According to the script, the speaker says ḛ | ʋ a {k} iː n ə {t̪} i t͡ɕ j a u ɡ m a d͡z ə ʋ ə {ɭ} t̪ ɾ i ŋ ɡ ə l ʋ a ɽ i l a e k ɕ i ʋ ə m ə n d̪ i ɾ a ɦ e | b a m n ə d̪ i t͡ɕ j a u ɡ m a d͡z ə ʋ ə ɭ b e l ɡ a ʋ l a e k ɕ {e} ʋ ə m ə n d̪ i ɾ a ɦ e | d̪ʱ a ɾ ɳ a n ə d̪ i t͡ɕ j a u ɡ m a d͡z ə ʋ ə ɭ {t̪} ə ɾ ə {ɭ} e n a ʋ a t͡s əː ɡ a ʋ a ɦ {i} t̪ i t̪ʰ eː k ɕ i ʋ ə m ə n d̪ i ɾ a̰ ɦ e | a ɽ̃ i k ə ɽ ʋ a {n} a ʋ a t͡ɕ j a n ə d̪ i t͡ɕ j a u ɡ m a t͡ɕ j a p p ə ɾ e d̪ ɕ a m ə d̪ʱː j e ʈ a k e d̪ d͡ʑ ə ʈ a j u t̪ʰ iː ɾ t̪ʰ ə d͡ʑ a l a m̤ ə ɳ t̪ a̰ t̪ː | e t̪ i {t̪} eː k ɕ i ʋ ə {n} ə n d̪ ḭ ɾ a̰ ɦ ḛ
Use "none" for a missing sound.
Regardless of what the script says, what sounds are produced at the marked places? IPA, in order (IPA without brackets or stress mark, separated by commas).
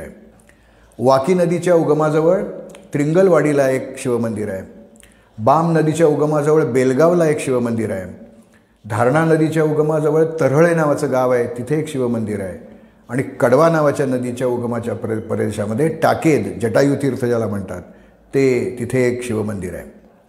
k, d̪, ɭ, i, t̪, ɭ, e, n, t̪ʰ, m